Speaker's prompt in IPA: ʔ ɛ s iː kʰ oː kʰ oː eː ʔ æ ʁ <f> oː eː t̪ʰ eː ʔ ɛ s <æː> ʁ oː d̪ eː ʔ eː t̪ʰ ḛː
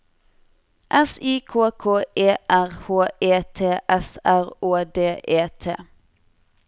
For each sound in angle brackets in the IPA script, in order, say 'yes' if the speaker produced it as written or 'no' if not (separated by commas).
no, no